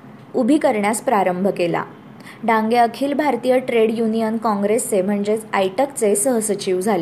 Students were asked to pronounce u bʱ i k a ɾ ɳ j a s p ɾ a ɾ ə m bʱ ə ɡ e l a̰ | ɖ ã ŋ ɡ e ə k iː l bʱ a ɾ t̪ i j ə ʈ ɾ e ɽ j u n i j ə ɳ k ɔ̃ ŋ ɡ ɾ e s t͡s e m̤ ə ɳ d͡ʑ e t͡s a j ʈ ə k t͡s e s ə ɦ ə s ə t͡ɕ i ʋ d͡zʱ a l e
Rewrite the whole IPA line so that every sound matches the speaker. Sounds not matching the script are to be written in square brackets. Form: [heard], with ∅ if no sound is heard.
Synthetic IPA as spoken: u bʱ i k [ə] ɾ ɳ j a s p ɾ a ɾ ə m bʱ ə [k] e l a̰ | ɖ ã ŋ ɡ e ə [kʰ] iː l bʱ a ɾ t̪ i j ə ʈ ɾ e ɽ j u n i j ə [n] k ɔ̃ ŋ ɡ ɾ e s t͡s e m̤ ə ɳ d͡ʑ e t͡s a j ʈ ə k t͡s e s ə ɦ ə s ə t͡ɕ i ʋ d͡zʱ a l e